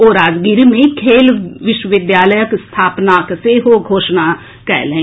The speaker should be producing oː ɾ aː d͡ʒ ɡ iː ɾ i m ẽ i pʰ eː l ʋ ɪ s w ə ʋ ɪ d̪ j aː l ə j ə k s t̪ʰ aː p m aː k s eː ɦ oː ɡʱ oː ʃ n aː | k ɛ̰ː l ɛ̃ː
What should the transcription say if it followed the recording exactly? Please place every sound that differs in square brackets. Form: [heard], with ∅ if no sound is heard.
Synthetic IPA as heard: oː ɾ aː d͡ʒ ɡ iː ɾ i m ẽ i [kʰ] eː l ʋ ɪ [ʃ] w ə ʋ ɪ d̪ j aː l ə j ə k s t̪ʰ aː p [n] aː k s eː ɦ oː ɡʱ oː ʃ n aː | k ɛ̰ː l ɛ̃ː